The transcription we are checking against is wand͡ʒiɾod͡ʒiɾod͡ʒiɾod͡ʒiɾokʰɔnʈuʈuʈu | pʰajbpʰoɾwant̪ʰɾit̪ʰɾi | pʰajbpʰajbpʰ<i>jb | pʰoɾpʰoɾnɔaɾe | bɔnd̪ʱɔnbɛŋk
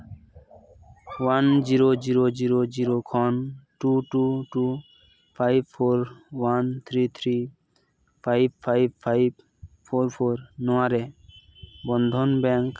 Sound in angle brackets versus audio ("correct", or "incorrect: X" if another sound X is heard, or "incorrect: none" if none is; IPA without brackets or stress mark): incorrect: a